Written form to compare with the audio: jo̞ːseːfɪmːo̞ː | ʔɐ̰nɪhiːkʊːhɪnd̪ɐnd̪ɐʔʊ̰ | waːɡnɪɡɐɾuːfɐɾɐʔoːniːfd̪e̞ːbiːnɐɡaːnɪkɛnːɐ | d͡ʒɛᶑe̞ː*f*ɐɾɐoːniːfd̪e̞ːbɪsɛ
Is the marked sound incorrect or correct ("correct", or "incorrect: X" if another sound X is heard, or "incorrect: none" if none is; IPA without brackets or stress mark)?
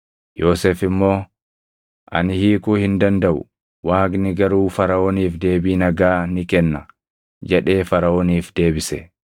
correct